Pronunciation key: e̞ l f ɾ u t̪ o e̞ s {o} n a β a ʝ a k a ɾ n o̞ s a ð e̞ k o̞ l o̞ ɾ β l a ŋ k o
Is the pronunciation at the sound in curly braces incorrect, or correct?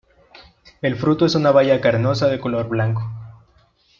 incorrect